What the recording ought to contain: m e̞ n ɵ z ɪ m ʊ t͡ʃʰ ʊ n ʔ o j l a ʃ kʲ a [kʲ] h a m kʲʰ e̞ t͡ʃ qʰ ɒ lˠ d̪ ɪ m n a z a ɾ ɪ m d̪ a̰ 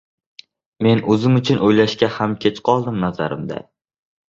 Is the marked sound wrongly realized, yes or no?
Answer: yes